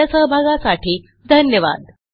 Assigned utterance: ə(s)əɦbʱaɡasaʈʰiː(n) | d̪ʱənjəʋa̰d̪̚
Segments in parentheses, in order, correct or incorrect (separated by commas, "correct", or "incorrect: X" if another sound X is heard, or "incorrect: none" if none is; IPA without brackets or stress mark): correct, incorrect: none